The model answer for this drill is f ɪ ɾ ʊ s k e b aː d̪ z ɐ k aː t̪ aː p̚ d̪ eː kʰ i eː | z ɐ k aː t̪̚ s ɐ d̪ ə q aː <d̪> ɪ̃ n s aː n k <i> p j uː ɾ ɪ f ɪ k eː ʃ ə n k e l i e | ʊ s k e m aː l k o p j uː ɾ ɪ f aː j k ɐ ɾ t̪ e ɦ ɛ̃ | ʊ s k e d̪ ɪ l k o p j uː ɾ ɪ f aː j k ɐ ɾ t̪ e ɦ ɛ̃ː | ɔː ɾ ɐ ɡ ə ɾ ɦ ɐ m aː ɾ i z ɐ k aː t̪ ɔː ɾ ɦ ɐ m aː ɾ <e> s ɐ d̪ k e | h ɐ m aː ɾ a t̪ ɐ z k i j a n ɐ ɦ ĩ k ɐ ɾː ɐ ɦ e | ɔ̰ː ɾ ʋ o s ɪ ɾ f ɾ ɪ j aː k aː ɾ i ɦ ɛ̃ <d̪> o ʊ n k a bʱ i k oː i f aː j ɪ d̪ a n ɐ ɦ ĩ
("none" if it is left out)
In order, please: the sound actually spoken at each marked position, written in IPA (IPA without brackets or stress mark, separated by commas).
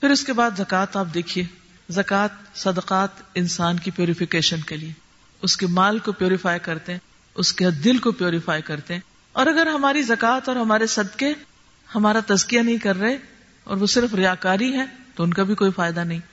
t̪, i, e, t̪